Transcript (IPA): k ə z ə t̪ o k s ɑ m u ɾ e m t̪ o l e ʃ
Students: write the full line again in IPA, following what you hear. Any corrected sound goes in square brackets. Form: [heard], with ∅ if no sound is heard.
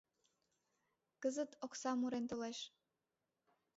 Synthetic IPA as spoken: k ə z ə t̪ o k s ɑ m u ɾ e [n] t̪ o l e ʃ